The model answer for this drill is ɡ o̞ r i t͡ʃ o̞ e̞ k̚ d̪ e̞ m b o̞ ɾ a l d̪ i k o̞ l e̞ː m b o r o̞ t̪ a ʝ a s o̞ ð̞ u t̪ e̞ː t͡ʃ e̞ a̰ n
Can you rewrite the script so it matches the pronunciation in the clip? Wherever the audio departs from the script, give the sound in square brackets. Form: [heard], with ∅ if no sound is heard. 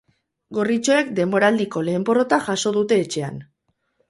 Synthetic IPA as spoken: ɡ o̞ r i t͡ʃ o̞ e̞ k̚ d̪ e̞ m b o̞ ɾ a l d̪ i k o̞ l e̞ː m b o r o̞ t̪ a ʝ a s o̞ ð̞ u t̪ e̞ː t͡ʃ e̞ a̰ n